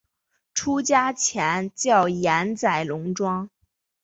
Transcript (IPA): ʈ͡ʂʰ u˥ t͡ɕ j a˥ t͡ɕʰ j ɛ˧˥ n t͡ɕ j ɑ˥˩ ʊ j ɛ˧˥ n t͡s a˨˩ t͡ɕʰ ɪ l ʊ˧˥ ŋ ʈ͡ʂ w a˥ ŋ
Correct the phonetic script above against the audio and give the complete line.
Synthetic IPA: ʈ͡ʂʰ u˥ t͡ɕ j a˥ t͡ɕʰ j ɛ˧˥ n t͡ɕ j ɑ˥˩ ʊ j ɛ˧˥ n t͡s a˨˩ ɪ l ʊ˧˥ ŋ ʈ͡ʂ w ɑ˥ ŋ